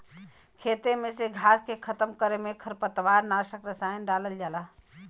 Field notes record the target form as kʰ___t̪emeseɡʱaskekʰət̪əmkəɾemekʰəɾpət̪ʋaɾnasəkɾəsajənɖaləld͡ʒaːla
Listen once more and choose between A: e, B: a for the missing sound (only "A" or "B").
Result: A